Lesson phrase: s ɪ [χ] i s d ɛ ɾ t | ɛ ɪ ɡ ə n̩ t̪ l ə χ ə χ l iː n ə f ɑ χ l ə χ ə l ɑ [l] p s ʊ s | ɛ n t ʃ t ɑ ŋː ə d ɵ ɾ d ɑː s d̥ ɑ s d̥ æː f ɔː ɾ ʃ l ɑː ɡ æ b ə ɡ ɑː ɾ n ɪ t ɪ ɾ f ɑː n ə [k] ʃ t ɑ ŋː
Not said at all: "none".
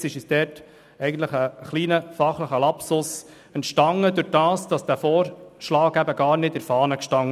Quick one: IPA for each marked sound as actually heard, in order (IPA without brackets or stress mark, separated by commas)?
ʃ, none, k